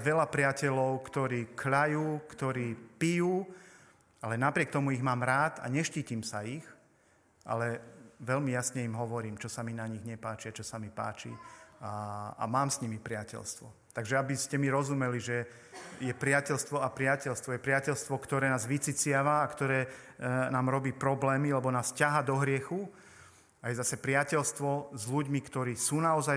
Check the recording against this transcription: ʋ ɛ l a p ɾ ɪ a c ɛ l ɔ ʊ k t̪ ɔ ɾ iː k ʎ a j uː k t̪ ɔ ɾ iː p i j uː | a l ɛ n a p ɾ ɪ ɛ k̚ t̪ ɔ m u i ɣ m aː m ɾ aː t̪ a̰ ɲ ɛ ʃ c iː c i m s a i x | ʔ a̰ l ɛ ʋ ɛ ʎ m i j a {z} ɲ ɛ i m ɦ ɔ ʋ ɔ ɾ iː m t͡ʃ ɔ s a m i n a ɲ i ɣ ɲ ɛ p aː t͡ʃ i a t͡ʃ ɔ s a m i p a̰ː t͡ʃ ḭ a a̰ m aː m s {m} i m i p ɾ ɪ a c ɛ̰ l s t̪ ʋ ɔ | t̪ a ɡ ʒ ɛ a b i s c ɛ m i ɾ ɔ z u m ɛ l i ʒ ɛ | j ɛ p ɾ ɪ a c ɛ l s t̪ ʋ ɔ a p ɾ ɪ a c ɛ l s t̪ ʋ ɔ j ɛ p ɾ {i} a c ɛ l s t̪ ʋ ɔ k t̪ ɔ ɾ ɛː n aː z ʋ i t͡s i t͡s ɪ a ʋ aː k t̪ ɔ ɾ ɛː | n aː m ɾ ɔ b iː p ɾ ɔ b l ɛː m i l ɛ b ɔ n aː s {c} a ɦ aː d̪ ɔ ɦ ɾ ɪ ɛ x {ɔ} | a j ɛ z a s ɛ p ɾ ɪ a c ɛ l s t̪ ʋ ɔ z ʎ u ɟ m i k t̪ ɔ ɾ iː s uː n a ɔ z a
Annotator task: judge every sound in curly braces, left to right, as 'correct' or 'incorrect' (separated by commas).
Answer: incorrect, incorrect, incorrect, correct, incorrect